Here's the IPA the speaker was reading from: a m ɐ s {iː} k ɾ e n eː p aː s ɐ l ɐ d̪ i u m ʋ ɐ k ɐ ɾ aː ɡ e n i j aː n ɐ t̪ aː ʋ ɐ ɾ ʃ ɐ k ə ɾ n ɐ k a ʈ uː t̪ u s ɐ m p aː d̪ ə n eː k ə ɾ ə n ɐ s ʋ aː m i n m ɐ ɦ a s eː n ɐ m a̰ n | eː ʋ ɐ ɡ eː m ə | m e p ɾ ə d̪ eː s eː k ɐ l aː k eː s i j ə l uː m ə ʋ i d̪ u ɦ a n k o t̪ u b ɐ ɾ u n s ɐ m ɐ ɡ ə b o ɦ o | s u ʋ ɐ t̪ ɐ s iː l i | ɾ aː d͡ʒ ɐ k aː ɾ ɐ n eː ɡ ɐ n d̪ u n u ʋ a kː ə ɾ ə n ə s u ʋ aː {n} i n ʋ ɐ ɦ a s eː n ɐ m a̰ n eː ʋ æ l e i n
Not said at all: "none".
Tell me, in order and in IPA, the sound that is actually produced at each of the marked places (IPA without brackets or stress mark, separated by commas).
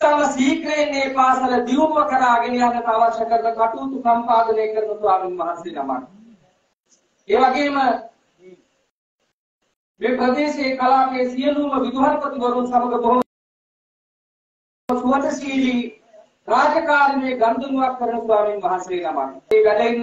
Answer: iː, m